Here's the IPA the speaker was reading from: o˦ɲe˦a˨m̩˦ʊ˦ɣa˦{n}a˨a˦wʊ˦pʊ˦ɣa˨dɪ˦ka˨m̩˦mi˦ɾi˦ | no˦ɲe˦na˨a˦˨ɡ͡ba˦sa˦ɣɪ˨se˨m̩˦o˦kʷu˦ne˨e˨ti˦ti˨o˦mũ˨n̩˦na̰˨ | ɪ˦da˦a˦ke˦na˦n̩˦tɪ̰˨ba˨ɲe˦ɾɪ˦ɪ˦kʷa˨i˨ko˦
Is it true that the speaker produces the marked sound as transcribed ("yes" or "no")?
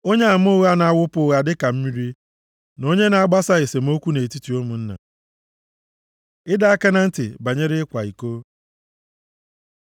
yes